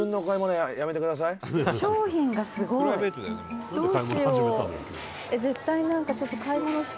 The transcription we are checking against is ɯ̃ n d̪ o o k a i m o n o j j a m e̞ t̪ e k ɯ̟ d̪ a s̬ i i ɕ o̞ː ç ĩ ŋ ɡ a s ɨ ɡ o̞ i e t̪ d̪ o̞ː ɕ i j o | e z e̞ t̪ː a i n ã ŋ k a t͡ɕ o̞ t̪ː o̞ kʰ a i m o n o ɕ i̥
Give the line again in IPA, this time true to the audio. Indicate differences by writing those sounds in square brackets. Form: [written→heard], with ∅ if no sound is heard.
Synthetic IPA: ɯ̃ n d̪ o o k a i m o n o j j a m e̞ t̪ e k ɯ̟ d̪ a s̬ [i→a] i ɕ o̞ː ç ĩ ŋ ɡ a s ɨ ɡ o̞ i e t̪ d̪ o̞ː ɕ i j o | e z e̞ t̪ː a i n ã ŋ k a t͡ɕ o̞ t̪ː o̞ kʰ a i m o n o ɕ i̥